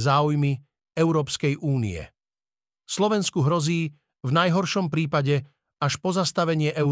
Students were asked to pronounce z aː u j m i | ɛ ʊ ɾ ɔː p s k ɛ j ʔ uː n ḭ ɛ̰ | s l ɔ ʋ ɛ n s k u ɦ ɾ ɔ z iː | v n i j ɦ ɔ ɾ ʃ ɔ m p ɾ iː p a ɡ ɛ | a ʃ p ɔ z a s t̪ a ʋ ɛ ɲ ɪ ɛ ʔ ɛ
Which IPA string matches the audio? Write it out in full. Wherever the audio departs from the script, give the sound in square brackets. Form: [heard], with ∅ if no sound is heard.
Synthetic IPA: z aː u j m i | ɛ ʊ ɾ ɔː p s k ɛ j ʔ uː n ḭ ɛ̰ | s l ɔ ʋ ɛ n s k u ɦ ɾ ɔ z iː | v n [a] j ɦ ɔ ɾ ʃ ɔ m p ɾ iː p a [ɟ] ɛ | a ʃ p ɔ z a s t̪ a ʋ ɛ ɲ ɪ ɛ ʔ ɛ